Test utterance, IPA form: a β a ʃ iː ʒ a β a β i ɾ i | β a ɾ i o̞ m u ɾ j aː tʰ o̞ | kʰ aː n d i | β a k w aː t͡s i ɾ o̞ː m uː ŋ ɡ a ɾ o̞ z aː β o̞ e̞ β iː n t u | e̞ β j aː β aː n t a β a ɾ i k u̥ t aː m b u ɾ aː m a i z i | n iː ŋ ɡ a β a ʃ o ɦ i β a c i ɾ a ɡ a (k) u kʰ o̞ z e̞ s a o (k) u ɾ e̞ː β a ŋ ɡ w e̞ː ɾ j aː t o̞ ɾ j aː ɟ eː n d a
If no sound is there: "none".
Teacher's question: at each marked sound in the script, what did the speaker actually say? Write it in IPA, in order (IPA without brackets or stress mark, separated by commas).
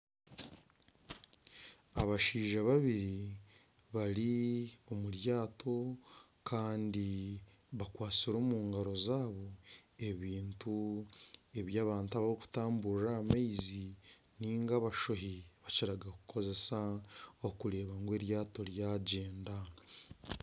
k, k